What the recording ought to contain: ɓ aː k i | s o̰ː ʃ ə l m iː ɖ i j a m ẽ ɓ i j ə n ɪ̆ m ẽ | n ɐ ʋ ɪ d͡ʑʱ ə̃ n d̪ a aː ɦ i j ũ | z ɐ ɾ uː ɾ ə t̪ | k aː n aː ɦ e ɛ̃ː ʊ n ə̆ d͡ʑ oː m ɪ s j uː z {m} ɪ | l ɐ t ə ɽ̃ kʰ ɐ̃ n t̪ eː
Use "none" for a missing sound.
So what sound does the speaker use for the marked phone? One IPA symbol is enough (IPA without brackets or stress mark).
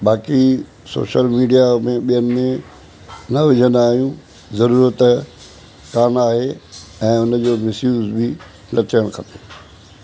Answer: b